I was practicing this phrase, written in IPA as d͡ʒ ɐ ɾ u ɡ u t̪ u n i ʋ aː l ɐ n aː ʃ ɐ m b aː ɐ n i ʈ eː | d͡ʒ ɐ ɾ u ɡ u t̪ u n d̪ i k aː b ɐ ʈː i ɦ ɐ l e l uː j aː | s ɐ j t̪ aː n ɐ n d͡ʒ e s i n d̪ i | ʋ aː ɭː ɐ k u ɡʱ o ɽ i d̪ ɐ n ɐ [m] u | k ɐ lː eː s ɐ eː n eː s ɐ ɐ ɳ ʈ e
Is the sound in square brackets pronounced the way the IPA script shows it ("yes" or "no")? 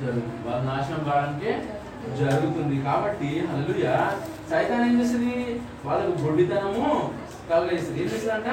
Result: yes